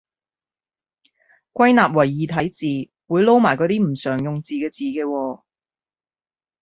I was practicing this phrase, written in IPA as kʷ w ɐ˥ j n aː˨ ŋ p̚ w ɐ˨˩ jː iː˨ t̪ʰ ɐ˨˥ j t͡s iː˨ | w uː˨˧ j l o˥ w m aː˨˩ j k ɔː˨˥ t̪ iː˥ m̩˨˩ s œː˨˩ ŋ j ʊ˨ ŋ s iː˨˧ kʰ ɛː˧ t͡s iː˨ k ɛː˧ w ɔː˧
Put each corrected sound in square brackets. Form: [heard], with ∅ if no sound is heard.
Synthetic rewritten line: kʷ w ɐ˥ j n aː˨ [∅] p̚ w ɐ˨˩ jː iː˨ t̪ʰ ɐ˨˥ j t͡s iː˨ | w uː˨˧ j l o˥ w m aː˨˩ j k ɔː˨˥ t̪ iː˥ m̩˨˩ s œː˨˩ ŋ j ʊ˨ ŋ [t͡s] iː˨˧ [k] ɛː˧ t͡s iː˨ k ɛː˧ w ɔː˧

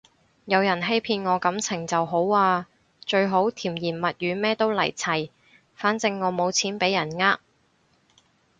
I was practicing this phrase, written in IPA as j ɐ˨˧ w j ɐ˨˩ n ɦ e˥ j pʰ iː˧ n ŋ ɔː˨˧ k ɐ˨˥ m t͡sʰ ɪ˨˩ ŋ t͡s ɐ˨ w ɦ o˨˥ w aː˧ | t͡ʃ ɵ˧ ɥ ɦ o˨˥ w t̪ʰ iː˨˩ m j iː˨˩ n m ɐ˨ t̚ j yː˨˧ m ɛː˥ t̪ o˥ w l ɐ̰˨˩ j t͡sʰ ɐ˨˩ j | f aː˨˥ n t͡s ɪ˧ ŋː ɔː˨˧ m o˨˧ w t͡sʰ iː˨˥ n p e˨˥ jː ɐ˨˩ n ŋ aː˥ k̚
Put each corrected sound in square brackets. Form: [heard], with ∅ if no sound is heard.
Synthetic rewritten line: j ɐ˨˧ w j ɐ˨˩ n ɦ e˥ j pʰ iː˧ n ŋ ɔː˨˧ k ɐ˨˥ m t͡sʰ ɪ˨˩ ŋ t͡s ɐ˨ w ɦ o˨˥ w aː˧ | t͡ʃ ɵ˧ ɥ ɦ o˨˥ w t̪ʰ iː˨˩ m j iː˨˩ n m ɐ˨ t̚ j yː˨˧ m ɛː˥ t̪ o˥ w l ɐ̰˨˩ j t͡sʰ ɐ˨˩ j | f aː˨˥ n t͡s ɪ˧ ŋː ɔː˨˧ m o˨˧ w t͡sʰ iː˨˥ n p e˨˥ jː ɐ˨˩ n ŋ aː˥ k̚

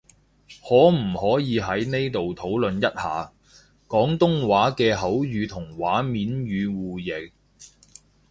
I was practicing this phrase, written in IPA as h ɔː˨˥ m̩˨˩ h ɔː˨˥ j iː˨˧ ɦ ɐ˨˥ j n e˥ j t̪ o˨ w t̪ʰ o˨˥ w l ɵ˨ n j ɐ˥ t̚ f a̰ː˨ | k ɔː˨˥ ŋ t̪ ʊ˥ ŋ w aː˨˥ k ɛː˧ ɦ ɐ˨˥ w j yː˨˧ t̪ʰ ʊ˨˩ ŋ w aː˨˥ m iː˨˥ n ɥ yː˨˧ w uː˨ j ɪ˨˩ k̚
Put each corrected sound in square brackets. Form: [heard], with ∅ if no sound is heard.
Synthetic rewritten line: h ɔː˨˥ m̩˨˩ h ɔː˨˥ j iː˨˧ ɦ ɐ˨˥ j n e˥ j t̪ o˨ w t̪ʰ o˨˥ w l ɵ˨ n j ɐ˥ t̚ [h] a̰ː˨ | k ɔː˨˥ ŋ t̪ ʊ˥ ŋ w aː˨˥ k ɛː˧ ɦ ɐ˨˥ w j yː˨˧ t̪ʰ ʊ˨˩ ŋ w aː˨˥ m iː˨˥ n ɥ yː˨˧ w uː˨ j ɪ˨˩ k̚

